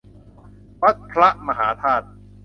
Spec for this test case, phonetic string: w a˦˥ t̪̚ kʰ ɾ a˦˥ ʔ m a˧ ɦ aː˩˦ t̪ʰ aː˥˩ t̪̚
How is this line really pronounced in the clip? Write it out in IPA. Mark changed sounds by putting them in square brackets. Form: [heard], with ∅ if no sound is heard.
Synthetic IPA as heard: w a˦˥ t̪̚ [pʰ] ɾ a˦˥ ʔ m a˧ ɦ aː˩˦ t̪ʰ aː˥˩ t̪̚